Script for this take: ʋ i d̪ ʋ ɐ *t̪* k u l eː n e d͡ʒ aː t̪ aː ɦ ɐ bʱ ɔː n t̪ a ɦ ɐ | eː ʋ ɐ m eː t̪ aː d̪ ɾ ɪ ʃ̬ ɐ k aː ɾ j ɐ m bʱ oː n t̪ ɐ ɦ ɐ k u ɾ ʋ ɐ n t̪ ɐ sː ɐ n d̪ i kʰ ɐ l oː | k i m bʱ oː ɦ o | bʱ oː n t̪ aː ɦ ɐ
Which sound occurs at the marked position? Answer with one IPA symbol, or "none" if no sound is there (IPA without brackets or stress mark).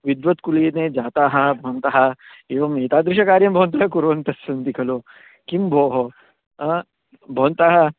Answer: t̪